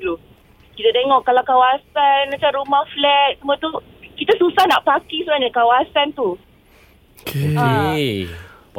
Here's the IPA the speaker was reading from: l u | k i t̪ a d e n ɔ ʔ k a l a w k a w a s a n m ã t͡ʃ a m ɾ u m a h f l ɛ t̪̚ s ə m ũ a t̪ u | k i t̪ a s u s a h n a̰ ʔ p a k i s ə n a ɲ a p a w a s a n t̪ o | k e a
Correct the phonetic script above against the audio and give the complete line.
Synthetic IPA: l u | k i t̪ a d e ŋ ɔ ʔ k a l a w k a w a s a n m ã t͡ʃ a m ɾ u m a h f l ɛ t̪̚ s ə m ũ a t̪ u | k i t̪ a s u s a h n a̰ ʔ p a k i s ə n a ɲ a k a w a s a n t̪ u | k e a